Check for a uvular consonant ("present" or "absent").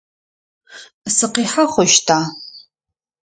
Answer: present